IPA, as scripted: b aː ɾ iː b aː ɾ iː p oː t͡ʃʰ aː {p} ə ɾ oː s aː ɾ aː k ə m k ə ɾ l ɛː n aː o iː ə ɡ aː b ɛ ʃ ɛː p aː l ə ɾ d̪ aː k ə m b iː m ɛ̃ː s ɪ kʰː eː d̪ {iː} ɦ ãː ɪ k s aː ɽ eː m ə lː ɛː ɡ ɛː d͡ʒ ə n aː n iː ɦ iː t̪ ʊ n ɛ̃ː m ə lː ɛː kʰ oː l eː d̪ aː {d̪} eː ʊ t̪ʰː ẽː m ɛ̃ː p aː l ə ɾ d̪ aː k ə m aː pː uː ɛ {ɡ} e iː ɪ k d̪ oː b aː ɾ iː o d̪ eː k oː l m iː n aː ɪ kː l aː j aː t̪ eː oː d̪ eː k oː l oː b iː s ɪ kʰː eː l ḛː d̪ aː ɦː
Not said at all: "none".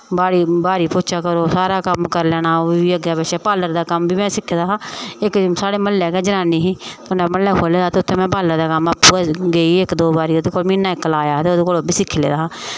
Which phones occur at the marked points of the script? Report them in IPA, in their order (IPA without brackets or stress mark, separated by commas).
k, aː, t̪, ɡ